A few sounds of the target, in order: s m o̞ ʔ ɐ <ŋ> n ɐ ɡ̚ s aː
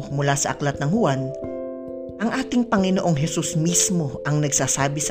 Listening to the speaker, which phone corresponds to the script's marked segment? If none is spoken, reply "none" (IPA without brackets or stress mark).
ŋ